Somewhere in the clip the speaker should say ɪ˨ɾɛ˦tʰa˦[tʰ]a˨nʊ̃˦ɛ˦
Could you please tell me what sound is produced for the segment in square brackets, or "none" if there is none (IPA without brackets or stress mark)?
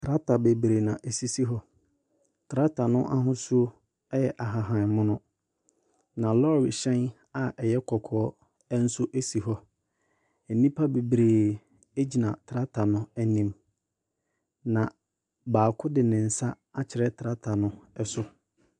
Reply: tʰ